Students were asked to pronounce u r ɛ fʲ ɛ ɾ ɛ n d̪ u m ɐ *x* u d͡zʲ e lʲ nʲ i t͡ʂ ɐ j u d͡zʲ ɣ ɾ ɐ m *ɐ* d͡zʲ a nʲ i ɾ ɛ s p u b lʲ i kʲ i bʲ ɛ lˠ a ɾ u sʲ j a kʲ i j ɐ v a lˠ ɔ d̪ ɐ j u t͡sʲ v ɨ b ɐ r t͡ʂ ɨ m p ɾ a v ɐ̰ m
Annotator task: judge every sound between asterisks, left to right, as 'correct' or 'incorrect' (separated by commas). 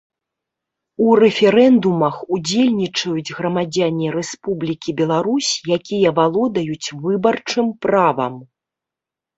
correct, incorrect